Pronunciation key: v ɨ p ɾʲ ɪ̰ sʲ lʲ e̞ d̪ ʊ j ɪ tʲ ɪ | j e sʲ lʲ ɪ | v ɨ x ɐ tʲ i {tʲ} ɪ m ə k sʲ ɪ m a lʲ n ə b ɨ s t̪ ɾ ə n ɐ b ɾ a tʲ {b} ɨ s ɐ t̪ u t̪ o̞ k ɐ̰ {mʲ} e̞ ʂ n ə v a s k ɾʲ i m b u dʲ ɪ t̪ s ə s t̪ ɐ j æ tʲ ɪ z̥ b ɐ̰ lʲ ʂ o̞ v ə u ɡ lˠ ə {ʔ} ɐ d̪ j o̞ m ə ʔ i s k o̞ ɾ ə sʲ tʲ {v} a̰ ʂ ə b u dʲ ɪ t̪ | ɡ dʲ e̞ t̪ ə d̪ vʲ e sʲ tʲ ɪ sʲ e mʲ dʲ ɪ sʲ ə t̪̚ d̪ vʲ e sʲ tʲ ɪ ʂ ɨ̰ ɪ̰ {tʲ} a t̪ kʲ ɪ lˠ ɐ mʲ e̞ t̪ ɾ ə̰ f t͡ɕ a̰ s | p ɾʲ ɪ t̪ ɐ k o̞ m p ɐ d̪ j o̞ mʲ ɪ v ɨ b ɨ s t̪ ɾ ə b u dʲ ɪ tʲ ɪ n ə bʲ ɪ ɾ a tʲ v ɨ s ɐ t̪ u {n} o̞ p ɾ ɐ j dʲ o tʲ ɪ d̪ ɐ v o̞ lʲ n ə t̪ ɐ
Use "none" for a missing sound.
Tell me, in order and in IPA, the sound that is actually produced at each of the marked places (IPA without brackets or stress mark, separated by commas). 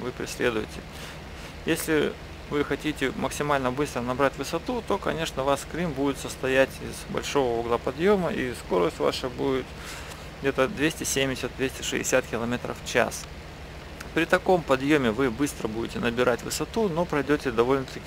tʲ, v, nʲ, p, v, sʲ, n